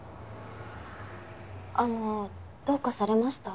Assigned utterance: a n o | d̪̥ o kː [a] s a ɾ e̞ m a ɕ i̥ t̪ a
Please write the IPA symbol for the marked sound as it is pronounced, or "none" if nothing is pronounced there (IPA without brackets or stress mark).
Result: a